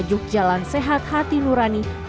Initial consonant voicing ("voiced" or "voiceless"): voiced